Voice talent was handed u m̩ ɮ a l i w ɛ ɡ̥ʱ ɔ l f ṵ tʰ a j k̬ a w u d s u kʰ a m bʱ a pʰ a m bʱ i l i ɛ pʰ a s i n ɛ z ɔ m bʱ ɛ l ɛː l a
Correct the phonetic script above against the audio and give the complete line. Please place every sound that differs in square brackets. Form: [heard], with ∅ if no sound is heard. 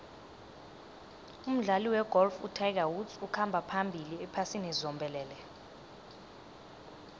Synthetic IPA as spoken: u m̩ ɮ a l i w ɛ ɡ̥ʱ ɔ l f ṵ tʰ a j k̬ a w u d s u kʰ a m bʱ a pʰ a m bʱ i l i ɛ pʰ a s i n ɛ z ɔ m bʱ ɛ l ɛː l [ɛ]